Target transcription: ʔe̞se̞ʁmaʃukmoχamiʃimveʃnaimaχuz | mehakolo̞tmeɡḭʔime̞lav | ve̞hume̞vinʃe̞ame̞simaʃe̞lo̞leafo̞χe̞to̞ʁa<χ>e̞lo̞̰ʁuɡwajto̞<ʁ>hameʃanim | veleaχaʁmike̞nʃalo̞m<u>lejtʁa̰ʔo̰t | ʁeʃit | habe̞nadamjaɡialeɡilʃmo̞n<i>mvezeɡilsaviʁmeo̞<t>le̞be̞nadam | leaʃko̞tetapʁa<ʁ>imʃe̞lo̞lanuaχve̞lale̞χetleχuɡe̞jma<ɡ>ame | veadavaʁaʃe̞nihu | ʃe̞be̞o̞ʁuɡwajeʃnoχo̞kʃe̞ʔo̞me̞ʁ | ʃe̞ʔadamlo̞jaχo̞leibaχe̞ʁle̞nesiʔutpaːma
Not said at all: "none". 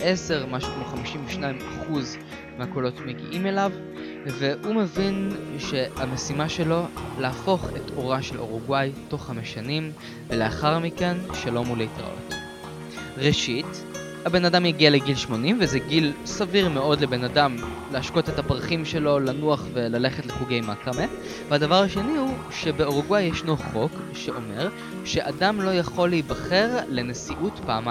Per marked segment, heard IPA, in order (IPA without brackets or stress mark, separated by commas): ʃ, χ, u, i, d, χ, k